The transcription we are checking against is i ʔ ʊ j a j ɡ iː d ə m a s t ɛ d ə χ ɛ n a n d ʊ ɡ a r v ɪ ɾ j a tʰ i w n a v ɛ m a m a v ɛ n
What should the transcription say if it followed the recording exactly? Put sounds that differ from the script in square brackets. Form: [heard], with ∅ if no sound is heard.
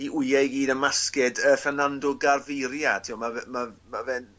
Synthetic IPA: i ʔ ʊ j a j ɡ iː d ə m a s [k] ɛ d ə [f] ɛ n a n d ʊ ɡ a r v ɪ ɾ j a tʰ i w [m] a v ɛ m a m a v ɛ n